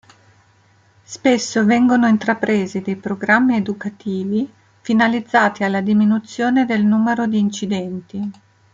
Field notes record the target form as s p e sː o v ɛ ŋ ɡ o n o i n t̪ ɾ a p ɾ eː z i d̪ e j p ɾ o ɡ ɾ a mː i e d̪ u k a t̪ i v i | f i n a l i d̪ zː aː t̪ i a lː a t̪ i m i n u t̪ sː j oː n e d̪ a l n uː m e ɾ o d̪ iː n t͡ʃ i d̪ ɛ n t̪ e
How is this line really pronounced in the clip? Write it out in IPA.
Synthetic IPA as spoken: s p e sː o v ɛ ŋ ɡ o n o i n t̪ ɾ a p ɾ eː z i d̪ e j p ɾ o ɡ ɾ a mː i e d̪ u k a t̪ iː v i | f i n a l i d̪ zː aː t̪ i a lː a d̪ i m i n u t̪ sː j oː n e d̪ e l n uː m e ɾ o d̪ iː n t͡ʃ i d̪ ɛ n t̪ i